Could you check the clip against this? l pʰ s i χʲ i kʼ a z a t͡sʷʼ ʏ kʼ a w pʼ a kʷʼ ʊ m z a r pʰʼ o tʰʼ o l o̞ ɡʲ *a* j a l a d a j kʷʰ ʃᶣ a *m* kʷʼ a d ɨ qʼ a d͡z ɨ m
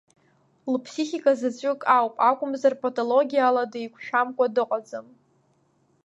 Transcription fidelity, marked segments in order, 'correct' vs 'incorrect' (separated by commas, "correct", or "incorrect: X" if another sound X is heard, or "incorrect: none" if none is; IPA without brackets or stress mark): incorrect: i, correct